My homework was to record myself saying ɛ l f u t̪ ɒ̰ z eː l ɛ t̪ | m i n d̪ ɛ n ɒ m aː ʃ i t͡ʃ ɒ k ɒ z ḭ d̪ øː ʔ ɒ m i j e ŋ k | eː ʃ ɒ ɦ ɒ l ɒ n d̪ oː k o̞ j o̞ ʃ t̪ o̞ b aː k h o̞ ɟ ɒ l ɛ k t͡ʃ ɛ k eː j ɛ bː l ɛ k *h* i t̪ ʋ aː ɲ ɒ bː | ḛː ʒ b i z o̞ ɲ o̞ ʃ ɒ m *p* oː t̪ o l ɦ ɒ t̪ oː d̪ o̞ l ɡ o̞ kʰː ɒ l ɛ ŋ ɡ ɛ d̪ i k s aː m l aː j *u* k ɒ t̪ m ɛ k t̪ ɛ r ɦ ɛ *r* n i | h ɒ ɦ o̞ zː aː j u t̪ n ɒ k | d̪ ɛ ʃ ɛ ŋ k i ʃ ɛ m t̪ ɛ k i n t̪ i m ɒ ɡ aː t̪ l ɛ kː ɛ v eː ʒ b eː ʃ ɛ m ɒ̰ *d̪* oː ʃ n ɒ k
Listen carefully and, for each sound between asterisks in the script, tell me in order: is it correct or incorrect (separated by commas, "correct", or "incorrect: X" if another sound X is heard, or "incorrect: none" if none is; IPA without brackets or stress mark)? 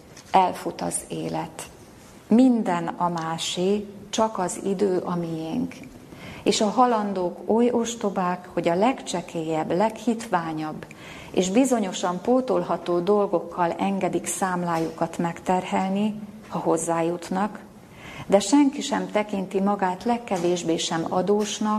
correct, correct, correct, incorrect: l, correct